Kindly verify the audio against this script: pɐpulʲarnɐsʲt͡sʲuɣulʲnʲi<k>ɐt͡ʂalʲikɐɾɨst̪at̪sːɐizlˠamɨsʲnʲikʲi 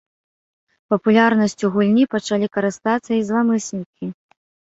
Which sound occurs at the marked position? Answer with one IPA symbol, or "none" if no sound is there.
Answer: p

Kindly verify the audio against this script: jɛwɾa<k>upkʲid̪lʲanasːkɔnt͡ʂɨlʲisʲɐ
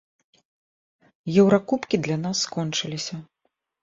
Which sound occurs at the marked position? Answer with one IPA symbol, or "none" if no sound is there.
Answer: k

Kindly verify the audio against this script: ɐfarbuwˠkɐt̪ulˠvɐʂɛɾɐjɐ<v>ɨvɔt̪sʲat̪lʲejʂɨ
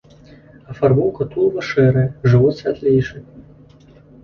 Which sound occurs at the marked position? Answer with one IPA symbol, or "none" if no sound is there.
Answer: ʐ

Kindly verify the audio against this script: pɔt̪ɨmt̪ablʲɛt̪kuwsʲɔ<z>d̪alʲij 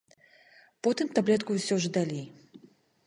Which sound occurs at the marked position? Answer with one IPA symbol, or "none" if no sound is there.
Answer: ʐ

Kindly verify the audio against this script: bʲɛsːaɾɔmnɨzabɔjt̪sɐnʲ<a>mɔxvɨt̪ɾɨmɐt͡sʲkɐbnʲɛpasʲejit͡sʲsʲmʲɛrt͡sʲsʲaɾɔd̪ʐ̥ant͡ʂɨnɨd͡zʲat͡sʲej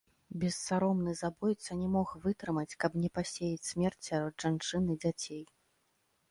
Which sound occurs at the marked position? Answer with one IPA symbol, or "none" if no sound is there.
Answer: ɛ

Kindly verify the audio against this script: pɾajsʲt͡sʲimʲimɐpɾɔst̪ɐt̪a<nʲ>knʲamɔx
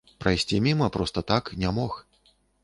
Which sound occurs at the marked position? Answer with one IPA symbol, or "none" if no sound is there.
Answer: none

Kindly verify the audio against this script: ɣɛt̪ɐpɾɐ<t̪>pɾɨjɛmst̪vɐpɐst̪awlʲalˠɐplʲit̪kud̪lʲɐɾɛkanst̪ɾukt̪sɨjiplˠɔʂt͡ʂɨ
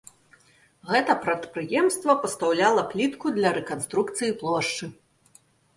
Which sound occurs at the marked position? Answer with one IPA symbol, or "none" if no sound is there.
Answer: t̪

